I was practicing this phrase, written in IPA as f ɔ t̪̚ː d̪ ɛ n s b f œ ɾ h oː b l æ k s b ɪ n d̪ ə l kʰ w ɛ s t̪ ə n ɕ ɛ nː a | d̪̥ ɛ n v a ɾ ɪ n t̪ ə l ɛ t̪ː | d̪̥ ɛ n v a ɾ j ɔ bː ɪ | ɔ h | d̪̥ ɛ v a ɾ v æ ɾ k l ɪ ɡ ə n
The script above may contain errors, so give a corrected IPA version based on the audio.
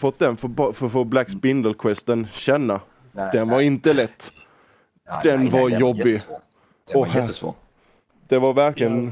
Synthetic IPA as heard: f ɔ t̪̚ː d̪ ɛ n f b f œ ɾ f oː b l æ k s b ɪ n d̪ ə l kʰ w ɛ s t̪ ə n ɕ ɛ nː a | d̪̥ ɛ n v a ɾ ɪ n t̪ ə l ɛ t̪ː | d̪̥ ɛ n v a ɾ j ɔ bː ɪ | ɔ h | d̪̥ ɛ v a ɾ v æ ɾ k l ɪ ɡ ə n